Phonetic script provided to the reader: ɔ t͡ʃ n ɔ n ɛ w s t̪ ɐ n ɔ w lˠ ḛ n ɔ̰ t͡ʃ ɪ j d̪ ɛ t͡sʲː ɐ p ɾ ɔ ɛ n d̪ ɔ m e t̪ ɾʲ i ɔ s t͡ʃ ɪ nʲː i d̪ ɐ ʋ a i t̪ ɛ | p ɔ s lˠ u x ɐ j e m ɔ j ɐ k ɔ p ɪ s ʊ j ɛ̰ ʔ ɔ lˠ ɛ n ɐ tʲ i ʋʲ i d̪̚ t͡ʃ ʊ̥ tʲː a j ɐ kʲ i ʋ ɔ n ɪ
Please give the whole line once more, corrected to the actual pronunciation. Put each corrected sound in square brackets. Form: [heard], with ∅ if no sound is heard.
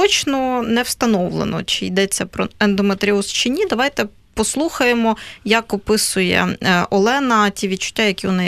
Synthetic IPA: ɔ t͡ʃ n ɔ n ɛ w s t̪ ɐ n ɔ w lˠ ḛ n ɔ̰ t͡ʃ ɪ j d̪ ɛ t͡sʲː ɐ p ɾ ɔ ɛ n d̪ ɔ m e t̪ ɾʲ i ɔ s t͡ʃ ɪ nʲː i d̪ ɐ ʋ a [j] t̪ ɛ | p ɔ s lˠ u x ɐ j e m ɔ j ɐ k ɔ p ɪ s ʊ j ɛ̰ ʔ ɔ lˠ ɛ n ɐ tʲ i ʋʲ i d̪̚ t͡ʃ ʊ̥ tʲː a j ɐ kʲ i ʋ ɔ n ɪ